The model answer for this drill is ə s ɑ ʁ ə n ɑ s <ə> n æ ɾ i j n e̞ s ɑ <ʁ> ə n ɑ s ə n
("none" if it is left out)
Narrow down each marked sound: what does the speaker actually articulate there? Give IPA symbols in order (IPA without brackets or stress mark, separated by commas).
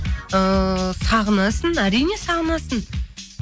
ə, ʁ